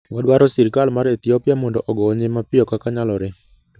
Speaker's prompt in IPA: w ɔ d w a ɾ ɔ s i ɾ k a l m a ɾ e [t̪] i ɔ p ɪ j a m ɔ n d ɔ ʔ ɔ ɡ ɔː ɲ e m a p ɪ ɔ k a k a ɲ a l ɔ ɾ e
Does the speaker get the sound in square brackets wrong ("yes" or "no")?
no